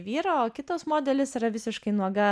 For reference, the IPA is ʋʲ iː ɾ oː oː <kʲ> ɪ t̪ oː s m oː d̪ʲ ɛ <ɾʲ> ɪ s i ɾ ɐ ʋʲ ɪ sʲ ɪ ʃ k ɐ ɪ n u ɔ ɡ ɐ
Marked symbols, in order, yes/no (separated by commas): yes, no